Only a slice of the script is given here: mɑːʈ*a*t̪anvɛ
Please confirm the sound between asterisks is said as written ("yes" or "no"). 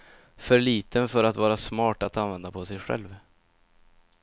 yes